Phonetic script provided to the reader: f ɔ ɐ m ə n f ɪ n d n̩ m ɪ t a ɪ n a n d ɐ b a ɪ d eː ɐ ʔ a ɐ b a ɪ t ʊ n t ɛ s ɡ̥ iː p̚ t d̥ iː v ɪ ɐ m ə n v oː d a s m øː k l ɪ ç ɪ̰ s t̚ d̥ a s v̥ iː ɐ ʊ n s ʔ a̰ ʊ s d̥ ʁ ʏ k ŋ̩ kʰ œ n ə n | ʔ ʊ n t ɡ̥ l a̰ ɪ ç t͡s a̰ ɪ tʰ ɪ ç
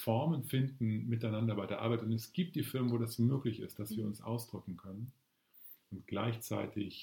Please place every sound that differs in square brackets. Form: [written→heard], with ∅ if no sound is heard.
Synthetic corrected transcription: f ɔ ɐ m ə n f ɪ n d n̩ m ɪ t a ɪ n a n d ɐ b a ɪ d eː ɐ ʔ a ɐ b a ɪ t ʊ n t ɛ s ɡ̥ iː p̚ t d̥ iː [v→f] ɪ ɐ m ə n v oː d a s m øː k l ɪ ç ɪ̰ s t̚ d̥ a s v̥ iː ɐ ʊ n s ʔ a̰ ʊ s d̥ ʁ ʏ k ŋ̩ kʰ œ n ə n | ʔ ʊ n t ɡ̥ l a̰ ɪ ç t͡s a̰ ɪ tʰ ɪ ç